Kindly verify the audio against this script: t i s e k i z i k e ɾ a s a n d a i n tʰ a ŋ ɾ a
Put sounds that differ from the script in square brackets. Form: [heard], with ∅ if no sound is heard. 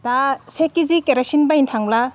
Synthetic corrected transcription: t [a] s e k i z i k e ɾ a s [i] n [b] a i n tʰ a ŋ [l] a